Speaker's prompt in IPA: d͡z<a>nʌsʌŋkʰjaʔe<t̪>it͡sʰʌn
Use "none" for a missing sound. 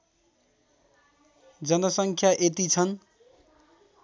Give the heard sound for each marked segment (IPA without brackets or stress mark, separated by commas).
ʌ, t̪